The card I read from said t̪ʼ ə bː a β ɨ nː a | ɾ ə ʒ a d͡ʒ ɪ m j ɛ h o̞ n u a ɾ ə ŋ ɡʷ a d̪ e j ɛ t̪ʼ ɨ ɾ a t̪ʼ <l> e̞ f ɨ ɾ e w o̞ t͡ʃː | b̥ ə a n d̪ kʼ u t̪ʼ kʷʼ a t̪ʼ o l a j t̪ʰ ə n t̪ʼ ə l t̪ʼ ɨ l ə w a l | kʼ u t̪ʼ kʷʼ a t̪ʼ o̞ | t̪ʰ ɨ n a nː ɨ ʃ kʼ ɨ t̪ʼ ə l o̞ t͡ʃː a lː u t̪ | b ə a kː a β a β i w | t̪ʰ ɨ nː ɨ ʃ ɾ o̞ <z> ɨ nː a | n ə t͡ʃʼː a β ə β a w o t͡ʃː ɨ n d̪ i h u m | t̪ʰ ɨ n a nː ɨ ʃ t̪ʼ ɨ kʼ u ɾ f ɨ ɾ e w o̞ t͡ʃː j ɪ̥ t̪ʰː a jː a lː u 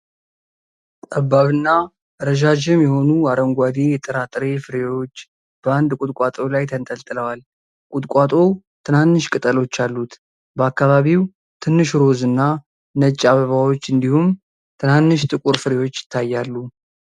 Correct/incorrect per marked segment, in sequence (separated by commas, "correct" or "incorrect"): incorrect, correct